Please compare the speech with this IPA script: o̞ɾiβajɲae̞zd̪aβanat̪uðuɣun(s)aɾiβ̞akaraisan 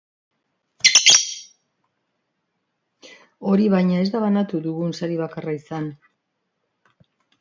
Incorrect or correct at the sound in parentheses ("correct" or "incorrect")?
correct